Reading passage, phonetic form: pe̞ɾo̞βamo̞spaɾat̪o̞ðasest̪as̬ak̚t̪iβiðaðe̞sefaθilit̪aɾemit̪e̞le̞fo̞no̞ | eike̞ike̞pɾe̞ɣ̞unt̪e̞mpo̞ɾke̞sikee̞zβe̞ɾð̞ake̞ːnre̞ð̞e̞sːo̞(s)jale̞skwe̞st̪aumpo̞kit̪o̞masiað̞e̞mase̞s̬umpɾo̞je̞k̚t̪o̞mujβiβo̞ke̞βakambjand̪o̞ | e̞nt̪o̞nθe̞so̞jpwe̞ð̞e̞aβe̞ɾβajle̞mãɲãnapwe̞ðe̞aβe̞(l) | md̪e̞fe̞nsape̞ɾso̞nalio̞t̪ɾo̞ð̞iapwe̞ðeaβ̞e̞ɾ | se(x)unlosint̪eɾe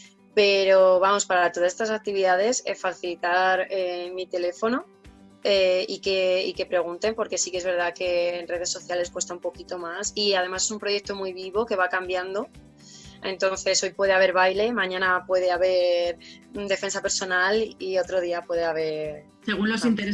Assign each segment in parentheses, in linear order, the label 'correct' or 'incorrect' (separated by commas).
incorrect, incorrect, incorrect